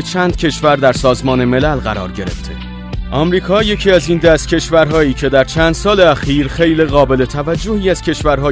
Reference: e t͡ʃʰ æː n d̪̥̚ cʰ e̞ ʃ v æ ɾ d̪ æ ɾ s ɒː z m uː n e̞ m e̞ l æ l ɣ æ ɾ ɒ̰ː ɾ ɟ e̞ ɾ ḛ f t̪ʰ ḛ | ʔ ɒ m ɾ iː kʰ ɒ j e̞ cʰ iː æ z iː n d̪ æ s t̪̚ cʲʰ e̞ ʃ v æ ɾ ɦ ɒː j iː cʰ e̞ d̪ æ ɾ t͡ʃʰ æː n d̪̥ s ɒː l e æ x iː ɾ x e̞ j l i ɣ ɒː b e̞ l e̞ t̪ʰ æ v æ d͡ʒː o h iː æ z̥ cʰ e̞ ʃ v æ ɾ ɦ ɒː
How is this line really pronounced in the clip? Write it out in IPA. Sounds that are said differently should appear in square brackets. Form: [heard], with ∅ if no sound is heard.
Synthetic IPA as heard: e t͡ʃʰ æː n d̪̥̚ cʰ e̞ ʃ v æ ɾ d̪ æ ɾ s ɒː z m [ɒː] n e̞ m e̞ l æ l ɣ æ ɾ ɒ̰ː ɾ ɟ e̞ ɾ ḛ f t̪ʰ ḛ | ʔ ɒ m ɾ iː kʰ [ɒː] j e̞ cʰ iː æ z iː n d̪ æ s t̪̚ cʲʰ e̞ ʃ v æ ɾ ɦ ɒː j iː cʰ e̞ d̪ æ ɾ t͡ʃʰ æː n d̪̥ s ɒː l e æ x iː ɾ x e̞ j l i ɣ ɒː b e̞ l e̞ t̪ʰ æ v æ d͡ʒː o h iː æ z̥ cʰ e̞ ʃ v æ ɾ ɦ ɒː